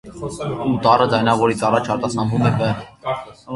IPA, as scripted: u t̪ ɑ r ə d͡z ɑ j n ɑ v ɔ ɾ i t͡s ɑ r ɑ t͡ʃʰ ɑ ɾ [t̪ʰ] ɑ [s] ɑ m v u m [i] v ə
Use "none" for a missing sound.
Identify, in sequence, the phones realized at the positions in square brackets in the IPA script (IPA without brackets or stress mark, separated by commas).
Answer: t̪, s, ɛ